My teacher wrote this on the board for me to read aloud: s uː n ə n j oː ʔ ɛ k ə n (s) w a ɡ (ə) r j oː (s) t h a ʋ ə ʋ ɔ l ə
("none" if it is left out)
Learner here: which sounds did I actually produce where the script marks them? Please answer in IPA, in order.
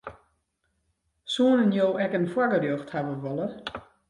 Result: f, ə, x

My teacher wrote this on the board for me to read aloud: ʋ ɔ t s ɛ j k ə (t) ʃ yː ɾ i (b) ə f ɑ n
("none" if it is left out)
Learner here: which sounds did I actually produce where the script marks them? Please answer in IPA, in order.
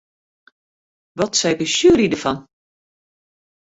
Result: none, d

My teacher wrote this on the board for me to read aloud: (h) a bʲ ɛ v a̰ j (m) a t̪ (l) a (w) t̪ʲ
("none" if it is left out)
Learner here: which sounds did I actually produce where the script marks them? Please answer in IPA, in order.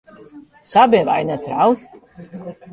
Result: s, n, ɾ, w

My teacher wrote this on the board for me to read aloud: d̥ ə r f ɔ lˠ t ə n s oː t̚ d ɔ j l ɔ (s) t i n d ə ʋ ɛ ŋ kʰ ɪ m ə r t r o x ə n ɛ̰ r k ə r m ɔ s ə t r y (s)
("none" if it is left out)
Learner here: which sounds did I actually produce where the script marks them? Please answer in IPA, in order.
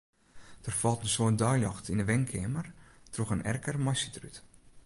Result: x, t

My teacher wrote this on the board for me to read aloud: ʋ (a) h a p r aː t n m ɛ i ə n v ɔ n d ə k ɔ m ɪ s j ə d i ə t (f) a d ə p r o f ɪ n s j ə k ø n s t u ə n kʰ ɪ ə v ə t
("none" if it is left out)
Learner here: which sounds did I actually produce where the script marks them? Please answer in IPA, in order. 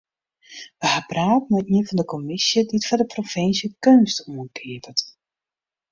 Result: ə, f

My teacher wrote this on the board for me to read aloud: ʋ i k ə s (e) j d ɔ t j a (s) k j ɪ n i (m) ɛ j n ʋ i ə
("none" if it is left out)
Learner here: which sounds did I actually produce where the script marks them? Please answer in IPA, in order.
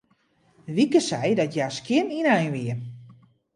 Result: ɛ, s, n

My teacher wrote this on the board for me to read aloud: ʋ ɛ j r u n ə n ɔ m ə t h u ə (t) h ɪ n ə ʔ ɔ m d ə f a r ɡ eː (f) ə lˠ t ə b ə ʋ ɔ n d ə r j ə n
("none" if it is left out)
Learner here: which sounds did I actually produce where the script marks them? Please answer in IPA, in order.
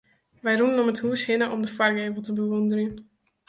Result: s, v

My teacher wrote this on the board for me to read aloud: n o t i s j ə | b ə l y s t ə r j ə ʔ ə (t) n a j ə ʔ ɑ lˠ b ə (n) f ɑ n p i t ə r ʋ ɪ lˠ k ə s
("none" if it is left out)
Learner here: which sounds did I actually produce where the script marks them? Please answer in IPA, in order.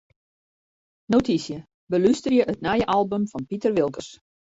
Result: t, m

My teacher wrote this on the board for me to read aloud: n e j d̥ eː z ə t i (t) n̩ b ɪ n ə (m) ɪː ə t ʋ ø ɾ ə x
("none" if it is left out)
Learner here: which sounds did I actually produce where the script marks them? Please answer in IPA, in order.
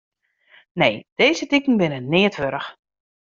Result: k, n

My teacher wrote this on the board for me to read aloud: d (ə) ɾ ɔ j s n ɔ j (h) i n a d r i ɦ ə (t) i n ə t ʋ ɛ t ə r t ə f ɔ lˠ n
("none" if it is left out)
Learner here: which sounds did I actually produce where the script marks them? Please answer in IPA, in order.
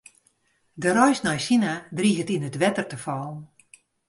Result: ə, s, t

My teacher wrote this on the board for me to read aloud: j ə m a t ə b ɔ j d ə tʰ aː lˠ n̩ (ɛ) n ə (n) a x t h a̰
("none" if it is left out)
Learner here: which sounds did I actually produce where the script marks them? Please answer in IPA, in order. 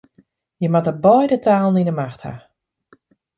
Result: i, m

